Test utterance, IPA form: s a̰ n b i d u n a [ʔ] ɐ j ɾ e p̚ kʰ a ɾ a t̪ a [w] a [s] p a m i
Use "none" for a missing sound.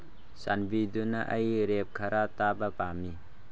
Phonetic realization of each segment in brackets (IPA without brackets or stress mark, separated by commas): ʔ, b, none